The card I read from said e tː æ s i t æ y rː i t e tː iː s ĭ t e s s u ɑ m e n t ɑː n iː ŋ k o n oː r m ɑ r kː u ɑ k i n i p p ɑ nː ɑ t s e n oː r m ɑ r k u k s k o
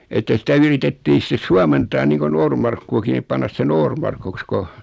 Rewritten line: e tː æ s i t æ y r i t e tː iː s ĭ t e s s u ɑ m e n t ɑː n iː ŋ k o n oː r m ɑ r kː u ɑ k i n i p p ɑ nː ɑ s s e n oː r m ɑ r k u k s k o